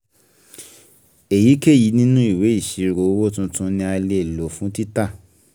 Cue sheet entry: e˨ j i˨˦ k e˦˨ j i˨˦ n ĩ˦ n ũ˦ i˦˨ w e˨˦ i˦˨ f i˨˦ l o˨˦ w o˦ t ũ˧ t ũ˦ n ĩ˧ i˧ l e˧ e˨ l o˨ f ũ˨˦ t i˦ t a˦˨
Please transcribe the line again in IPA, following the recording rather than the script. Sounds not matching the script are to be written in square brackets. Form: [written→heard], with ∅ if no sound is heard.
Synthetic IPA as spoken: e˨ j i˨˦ k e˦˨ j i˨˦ n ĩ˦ n ũ˦ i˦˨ w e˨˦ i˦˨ [f→ʃ] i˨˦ [l→ɾ] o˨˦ w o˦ t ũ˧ t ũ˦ n ĩ˧ [i˧→a˧] l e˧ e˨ l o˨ f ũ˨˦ t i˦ t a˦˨